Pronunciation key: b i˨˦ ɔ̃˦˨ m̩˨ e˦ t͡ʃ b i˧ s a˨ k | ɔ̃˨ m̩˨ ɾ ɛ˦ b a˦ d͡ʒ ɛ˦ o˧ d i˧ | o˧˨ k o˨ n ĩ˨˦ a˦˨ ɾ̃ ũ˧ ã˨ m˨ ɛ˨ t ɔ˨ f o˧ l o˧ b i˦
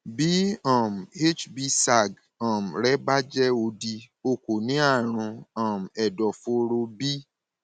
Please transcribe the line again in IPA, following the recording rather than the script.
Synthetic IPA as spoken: b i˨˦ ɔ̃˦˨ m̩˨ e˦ t͡ʃ b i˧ s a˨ ɡ | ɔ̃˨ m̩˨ ɾ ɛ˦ b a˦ d͡ʒ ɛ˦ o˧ d i˧ | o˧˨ k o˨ n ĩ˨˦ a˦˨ ɾ̃ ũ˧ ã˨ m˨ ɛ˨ d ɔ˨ f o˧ ɾ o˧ b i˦